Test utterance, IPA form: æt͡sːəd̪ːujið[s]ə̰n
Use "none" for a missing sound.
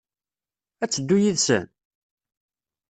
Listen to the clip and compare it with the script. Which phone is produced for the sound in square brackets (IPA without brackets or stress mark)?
s